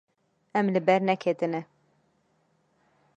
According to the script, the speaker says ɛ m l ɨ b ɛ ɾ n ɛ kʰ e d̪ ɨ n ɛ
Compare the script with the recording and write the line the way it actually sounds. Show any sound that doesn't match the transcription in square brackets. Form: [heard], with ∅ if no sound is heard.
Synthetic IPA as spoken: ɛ m l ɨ b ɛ ɾ n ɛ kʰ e [t̪] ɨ n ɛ

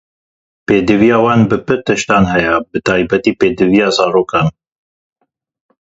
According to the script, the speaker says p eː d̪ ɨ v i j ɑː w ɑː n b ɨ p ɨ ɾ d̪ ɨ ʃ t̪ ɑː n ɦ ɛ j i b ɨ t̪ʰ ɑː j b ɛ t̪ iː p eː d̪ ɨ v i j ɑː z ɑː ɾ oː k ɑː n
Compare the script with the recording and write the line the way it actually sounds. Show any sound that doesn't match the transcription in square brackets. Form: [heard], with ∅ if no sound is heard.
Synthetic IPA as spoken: p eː d̪ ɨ v i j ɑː w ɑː n b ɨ p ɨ ɾ [t̪] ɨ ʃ t̪ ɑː n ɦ ɛ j [ɛ] b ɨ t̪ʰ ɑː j b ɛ t̪ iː p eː d̪ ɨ v i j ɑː z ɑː ɾ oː k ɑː n

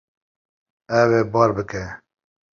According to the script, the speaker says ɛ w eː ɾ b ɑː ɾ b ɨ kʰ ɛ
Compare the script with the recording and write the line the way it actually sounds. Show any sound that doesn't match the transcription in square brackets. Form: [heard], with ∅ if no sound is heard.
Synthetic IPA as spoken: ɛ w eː [∅] b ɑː ɾ b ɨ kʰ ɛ

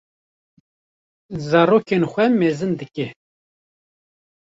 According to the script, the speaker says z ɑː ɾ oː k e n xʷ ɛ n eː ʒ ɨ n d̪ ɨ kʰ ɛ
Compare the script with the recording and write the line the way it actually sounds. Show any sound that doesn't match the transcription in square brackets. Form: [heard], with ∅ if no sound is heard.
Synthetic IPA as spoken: z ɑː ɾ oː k e n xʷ ɛ [m] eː [z] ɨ n d̪ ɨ [k] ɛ

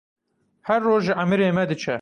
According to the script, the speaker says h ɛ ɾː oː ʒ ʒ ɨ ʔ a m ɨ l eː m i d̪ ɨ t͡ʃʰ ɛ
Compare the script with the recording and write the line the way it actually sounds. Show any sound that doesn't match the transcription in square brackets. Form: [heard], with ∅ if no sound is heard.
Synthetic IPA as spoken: h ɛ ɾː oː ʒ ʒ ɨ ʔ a m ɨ [ɾ] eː m [ɛ] d̪ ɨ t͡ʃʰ ɛ

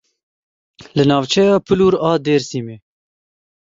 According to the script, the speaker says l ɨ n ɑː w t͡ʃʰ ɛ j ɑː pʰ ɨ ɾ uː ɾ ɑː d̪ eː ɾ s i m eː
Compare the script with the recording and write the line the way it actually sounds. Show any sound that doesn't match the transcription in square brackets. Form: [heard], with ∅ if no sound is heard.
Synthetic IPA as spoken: l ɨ n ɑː [v] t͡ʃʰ ɛ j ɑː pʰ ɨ [l] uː ɾ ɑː d̪ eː ɾ s i m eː

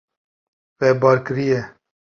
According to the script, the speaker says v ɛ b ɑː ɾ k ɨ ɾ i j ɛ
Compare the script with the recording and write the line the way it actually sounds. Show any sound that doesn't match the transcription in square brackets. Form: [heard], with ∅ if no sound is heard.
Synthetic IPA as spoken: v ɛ b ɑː ɾ k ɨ ɾ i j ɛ

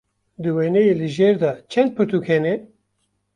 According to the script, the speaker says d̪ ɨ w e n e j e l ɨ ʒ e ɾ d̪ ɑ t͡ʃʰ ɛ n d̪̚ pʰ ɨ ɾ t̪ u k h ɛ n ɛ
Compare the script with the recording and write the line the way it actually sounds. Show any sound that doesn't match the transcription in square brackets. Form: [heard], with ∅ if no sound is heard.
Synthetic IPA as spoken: d̪ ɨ w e n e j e l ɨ ʒ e ɾ d̪ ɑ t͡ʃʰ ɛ n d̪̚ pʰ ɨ ɾ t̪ u k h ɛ n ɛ

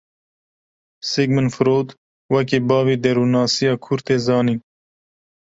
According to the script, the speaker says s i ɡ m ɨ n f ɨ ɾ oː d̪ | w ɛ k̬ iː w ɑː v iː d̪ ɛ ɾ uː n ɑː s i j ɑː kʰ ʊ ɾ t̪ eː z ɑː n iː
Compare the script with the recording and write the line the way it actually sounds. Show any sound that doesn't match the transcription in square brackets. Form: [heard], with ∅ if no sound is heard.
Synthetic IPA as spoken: s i ɡ m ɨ n f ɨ ɾ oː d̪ | w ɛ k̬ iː [b] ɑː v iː d̪ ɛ ɾ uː n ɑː s i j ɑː kʰ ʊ ɾ t̪ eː z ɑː n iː

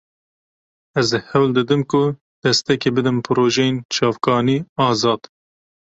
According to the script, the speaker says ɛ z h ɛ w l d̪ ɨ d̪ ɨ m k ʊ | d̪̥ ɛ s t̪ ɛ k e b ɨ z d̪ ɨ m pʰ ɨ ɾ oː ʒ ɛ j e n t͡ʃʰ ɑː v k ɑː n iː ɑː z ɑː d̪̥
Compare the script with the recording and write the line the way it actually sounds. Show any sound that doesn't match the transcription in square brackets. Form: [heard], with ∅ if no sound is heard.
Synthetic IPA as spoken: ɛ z h ɛ w l d̪ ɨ d̪ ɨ m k ʊ | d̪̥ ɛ s t̪ ɛ k e b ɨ [∅] d̪ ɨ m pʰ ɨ ɾ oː ʒ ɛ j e n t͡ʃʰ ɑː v k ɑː n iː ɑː z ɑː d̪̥

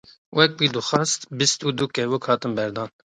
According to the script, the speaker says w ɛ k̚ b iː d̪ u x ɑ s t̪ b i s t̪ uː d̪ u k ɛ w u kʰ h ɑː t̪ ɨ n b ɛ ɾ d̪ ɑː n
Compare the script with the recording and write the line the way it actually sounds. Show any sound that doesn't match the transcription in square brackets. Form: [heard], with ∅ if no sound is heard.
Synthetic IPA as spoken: w ɛ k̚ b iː d̪ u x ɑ s t̪ b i s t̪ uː d̪ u k ɛ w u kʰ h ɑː t̪ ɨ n b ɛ ɾ d̪ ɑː n

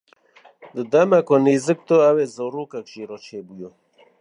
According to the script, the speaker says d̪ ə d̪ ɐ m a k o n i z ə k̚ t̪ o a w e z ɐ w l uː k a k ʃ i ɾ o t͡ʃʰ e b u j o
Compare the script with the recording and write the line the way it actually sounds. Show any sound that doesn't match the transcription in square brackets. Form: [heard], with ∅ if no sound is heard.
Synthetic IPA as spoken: d̪ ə d̪ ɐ m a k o n i z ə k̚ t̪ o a w e z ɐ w [ɾ] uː k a k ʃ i ɾ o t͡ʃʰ e b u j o

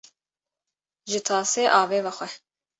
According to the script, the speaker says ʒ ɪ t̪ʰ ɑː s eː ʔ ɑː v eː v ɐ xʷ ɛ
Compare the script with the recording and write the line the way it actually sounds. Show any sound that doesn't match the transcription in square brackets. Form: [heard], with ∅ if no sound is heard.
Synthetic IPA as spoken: ʒ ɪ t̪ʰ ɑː s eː ʔ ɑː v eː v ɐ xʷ ɛ

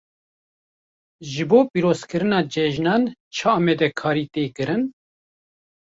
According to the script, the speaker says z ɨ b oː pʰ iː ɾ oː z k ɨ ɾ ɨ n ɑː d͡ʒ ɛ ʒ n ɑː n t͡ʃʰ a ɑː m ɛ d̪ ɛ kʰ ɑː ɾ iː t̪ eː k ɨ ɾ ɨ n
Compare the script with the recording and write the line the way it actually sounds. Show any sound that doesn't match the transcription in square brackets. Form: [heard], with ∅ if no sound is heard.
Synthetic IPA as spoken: [ʒ] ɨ b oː [p] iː ɾ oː z k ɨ ɾ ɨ n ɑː d͡ʒ ɛ ʒ n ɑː n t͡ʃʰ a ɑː m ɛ d̪ ɛ kʰ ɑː ɾ iː t̪ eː k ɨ ɾ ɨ n

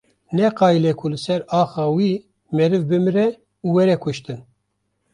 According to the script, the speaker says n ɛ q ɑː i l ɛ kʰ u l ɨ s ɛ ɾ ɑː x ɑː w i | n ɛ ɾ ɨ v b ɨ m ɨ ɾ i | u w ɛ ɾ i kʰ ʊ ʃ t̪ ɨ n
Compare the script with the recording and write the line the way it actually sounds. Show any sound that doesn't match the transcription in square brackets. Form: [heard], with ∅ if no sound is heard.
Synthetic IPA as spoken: n ɛ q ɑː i l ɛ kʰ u l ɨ s ɛ ɾ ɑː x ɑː w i | [m] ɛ ɾ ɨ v b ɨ m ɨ ɾ [ɛ] | u w ɛ ɾ [ɛ] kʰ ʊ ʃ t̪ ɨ n

